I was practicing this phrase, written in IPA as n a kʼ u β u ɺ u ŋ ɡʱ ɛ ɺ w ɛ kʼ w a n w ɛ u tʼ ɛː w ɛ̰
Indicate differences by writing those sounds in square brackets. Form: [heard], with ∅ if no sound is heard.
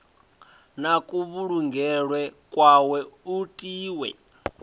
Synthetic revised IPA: n a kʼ u β u ɺ u ŋ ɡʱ ɛ ɺ w ɛ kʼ w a [∅] w ɛ u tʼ [iː] w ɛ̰